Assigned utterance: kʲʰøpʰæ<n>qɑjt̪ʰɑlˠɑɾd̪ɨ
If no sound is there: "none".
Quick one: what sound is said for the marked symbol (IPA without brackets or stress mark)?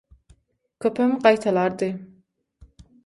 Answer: m